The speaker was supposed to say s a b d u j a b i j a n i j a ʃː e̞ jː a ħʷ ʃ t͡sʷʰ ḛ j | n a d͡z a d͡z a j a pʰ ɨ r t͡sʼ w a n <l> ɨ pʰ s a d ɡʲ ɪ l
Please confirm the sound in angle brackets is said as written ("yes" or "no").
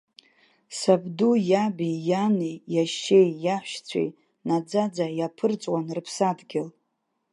no